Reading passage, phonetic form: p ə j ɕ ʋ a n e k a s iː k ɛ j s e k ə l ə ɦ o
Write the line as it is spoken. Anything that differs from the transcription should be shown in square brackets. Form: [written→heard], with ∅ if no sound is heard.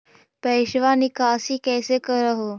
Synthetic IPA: p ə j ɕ ʋ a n [e→i] k a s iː k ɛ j s e k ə [l→ɾ] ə ɦ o